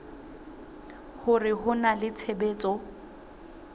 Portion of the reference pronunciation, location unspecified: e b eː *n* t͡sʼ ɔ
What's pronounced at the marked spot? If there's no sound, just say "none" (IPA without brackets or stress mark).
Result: none